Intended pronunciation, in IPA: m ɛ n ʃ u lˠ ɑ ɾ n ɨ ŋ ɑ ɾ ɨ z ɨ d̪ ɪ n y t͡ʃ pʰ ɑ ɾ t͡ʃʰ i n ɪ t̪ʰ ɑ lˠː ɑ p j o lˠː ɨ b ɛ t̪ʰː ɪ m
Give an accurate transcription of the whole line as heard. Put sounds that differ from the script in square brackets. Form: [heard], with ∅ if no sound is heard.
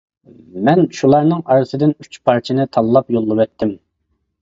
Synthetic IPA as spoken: m ɛ n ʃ u lˠ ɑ ɾ n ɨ ŋ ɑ ɾ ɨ [s] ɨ d̪ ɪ n y t͡ʃ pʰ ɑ ɾ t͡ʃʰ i n ɪ t̪ʰ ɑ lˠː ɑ p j o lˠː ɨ [w] ɛ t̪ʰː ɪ m